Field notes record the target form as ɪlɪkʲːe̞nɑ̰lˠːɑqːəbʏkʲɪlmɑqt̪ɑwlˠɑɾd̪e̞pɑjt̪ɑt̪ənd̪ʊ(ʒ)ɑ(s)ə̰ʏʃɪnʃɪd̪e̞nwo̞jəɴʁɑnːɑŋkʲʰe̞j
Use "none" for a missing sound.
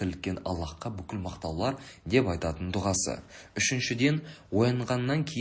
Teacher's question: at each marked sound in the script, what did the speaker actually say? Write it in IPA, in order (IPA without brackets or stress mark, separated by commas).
ʁ, s